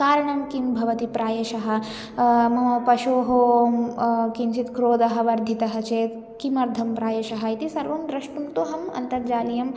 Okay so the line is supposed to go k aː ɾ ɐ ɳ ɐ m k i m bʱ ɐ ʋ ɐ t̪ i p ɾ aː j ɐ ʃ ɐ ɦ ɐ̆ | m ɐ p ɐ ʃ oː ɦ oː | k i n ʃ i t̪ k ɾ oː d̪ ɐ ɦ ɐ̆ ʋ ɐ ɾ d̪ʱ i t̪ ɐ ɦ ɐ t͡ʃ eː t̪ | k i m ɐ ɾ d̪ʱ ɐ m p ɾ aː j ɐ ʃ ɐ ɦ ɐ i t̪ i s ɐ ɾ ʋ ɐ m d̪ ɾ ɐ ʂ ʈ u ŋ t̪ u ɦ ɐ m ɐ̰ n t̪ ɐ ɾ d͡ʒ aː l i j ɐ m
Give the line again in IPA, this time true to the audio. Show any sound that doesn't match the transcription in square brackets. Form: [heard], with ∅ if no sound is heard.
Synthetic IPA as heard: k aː ɾ ɐ ɳ ɐ m k i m bʱ ɐ ʋ ɐ t̪ i p ɾ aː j ɐ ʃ ɐ ɦ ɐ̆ | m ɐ p ɐ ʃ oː ɦ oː | k i n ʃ i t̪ k ɾ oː d̪ ɐ ɦ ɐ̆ ʋ ɐ ɾ d̪ʱ i t̪ ɐ ɦ ɐ t͡ʃ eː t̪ | k i m ɐ ɾ d̪ʱ ɐ m p ɾ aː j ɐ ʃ ɐ ɦ ɐ i t̪ i s ɐ ɾ ʋ ɐ m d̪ ɾ ɐ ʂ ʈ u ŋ t̪ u ɦ ɐ m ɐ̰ n t̪ ɐ ɾ d͡ʒ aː l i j ɐ m